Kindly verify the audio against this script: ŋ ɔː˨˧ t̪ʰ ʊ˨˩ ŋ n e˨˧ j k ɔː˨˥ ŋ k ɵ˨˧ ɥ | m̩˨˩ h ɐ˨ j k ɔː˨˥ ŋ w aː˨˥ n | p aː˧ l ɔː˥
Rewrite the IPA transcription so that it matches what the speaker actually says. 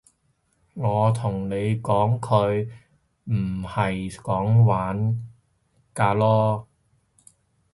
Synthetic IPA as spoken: ŋ ɔː˨˧ t̪ʰ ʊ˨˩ ŋ n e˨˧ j k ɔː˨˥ ŋ kʰ ɵ˨˧ ɥ | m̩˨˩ h ɐ˨ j k ɔː˨˥ ŋ w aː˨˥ n | k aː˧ l ɔː˥

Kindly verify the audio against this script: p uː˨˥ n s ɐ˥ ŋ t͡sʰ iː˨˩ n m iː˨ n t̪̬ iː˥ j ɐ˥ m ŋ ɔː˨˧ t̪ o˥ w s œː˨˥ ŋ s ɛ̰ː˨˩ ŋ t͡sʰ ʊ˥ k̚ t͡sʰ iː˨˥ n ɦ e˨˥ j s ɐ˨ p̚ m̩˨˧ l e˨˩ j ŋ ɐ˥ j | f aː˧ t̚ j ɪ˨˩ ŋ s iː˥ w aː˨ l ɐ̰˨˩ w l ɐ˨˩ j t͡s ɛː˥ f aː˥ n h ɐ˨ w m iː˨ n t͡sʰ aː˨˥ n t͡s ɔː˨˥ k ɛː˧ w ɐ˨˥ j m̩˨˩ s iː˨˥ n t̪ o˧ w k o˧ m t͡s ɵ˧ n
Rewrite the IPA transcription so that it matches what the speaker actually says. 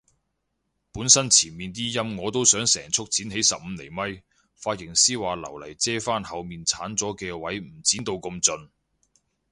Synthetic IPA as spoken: p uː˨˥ n s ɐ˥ n t͡sʰ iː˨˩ n m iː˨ n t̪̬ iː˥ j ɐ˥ m ŋ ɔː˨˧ t̪ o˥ w s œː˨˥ ŋ s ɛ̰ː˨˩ ŋ t͡sʰ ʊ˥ k̚ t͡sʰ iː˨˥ n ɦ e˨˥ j s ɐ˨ p̚ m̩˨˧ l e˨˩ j m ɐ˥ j | f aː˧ t̚ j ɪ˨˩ ŋ s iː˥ w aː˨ l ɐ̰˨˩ w l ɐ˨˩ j t͡s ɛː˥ f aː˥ n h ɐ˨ w m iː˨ n t͡sʰ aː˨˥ n t͡s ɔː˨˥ k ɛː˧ w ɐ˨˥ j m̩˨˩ t͡s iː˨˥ n t̪ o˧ w k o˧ m t͡s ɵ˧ n

